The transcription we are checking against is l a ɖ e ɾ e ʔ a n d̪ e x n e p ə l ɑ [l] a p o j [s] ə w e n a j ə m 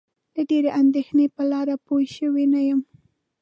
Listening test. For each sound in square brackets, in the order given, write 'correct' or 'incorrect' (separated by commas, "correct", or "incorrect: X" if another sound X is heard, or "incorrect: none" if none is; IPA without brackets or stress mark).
incorrect: ɾ, incorrect: ʃ